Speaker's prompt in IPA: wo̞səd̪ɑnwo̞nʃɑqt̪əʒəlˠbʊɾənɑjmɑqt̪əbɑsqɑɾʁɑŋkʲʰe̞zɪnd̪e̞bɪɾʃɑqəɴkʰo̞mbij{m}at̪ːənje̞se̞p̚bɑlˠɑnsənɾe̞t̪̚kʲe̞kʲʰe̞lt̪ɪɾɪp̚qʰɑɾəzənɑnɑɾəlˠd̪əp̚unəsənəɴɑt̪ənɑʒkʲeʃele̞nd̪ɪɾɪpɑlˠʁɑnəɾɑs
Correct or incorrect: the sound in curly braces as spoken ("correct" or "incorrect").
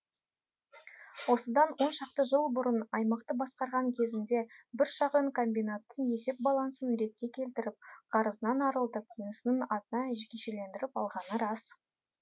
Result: incorrect